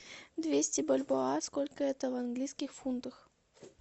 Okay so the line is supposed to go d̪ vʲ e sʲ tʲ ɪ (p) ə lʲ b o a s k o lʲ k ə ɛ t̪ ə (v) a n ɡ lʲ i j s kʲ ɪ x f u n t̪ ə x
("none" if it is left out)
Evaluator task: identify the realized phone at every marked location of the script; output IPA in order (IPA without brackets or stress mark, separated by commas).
b, v